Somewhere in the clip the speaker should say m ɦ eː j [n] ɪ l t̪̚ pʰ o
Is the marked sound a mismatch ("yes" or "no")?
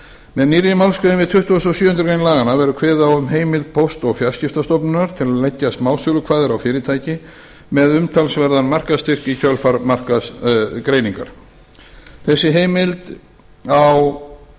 yes